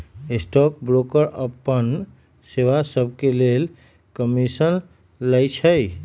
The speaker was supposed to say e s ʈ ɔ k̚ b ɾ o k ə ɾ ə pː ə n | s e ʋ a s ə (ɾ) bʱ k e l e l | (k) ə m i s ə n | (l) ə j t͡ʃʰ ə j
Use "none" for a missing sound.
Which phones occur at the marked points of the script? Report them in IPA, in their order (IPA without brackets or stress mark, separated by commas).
none, k, l